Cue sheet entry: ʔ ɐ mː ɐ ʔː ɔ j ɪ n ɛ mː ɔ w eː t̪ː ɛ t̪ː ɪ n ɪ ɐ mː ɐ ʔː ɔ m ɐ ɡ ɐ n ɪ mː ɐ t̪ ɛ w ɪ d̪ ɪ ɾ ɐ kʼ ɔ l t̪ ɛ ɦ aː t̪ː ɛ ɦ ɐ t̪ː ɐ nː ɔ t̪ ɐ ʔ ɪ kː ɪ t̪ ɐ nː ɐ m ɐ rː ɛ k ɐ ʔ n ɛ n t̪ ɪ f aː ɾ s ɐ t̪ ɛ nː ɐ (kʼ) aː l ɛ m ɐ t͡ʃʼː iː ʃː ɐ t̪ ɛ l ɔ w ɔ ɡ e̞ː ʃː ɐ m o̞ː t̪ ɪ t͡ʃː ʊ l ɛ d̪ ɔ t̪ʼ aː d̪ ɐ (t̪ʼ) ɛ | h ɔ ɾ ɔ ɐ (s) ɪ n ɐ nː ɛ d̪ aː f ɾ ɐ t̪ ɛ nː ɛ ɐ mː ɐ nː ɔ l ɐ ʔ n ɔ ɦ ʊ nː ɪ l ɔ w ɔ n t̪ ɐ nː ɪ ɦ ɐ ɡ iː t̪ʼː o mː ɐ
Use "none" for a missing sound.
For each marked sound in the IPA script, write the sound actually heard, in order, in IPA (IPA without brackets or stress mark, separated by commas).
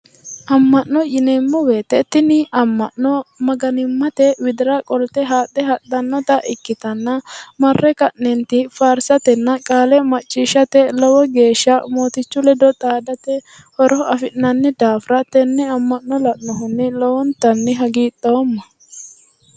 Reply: kʼ, t̪, f